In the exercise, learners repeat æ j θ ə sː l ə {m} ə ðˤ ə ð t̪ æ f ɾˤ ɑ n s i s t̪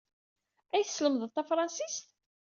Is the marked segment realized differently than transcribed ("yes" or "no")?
no